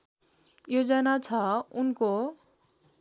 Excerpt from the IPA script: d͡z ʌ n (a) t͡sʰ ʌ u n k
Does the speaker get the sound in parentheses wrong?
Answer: no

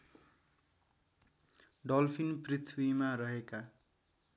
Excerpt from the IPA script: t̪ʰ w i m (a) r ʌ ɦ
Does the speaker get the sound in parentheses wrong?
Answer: no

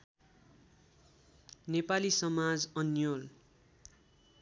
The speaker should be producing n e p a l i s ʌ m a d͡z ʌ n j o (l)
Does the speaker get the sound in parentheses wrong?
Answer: no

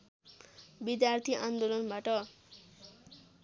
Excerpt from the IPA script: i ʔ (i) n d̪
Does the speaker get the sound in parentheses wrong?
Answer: yes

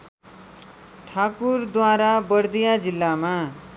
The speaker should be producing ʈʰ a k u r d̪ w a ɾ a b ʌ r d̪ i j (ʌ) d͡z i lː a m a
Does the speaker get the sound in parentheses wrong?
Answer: yes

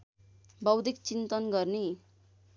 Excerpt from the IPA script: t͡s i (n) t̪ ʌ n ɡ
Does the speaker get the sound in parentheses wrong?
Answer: no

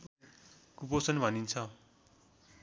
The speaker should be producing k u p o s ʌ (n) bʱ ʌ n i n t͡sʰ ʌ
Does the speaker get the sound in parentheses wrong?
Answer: no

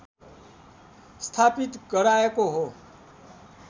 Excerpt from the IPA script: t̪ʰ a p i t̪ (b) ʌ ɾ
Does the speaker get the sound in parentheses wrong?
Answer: yes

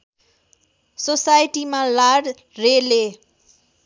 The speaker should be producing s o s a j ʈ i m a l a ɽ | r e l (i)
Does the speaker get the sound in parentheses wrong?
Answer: yes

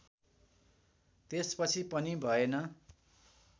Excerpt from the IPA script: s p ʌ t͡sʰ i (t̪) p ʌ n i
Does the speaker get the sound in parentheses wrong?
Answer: yes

